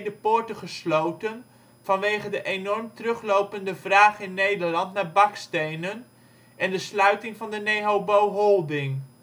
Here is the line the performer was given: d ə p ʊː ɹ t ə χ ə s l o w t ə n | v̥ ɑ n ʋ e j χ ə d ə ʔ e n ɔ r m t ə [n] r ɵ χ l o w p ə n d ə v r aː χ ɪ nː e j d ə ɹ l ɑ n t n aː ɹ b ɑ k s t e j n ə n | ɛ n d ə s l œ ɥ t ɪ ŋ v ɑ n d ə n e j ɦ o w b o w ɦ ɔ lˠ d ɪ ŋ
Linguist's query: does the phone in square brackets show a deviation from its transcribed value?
yes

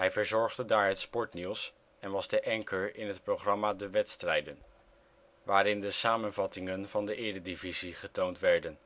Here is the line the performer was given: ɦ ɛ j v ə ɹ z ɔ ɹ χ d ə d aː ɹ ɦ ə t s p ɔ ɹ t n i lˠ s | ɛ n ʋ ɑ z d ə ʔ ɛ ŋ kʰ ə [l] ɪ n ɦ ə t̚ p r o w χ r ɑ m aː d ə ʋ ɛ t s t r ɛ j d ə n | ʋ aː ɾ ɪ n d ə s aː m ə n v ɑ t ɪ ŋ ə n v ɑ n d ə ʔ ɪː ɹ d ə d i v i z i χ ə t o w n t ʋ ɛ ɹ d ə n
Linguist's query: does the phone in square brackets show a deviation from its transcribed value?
yes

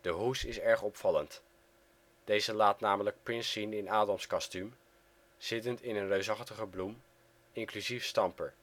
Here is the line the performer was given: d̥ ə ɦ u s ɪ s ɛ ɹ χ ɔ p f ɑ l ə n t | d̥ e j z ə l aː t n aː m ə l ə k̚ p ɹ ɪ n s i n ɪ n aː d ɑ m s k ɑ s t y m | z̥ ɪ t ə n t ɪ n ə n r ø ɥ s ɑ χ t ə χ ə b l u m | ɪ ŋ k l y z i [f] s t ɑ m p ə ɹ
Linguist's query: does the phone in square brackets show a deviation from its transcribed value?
no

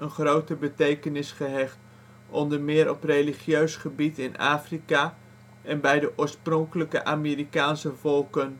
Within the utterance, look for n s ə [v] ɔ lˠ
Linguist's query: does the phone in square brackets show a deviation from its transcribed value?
no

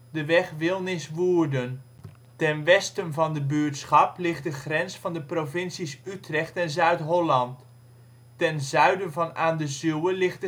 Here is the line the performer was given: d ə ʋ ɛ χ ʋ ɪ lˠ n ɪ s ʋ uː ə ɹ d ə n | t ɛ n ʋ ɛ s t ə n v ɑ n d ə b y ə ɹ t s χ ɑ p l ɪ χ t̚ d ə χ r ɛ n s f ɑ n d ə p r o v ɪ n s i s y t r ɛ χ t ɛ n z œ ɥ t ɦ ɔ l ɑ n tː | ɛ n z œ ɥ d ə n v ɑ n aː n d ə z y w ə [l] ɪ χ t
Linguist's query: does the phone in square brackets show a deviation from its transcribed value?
no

